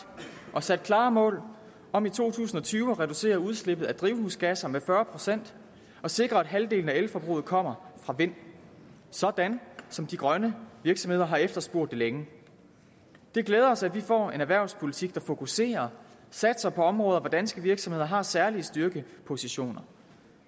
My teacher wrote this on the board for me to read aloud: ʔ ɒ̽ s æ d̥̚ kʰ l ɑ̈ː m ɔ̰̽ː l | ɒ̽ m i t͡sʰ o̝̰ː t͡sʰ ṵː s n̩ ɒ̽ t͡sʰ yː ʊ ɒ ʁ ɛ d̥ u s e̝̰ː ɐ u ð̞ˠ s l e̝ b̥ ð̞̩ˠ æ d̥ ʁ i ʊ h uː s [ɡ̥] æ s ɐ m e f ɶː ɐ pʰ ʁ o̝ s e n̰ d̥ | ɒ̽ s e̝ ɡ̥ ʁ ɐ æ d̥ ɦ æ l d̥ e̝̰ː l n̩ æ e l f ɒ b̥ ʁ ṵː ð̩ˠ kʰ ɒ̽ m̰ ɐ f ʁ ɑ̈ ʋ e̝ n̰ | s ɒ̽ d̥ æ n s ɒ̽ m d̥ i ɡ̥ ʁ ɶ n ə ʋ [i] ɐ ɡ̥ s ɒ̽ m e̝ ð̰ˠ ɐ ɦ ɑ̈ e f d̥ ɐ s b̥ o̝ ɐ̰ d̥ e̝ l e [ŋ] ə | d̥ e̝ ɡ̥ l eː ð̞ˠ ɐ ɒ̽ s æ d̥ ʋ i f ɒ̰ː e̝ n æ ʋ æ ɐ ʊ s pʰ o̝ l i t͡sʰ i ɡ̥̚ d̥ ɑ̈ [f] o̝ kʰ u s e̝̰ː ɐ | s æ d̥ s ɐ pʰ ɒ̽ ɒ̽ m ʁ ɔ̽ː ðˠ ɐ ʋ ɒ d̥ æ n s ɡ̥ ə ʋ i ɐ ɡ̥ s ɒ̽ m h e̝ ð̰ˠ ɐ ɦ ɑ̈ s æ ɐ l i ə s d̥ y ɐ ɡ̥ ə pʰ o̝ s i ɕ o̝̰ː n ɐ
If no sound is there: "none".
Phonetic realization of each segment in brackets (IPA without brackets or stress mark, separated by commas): ɡ̥, i, ŋ, f